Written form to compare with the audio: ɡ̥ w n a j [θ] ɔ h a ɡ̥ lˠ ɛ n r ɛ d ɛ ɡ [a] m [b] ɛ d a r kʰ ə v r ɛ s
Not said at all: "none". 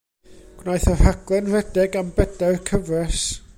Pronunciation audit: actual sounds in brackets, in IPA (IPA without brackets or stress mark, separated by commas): θ, a, b